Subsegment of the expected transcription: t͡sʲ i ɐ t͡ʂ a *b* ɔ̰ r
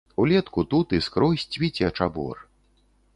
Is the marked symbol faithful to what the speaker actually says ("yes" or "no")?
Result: yes